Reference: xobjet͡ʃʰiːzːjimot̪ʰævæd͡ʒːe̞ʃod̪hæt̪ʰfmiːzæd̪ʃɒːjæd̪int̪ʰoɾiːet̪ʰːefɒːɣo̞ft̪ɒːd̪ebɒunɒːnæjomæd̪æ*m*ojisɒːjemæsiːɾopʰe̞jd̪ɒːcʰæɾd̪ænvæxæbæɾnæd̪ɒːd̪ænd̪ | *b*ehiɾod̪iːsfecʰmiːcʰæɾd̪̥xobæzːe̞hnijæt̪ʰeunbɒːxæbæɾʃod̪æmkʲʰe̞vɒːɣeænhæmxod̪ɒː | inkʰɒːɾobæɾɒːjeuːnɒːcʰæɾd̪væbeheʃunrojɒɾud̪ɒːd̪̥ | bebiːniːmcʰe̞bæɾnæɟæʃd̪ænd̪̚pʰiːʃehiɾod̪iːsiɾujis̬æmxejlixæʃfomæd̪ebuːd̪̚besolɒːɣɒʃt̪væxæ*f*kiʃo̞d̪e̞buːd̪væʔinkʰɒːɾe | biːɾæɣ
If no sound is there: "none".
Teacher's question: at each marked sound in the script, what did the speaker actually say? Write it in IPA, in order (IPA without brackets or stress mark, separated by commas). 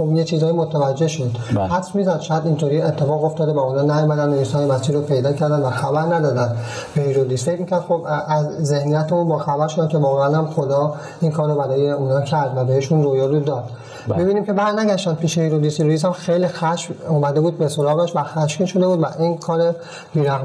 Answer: n, b, ʃ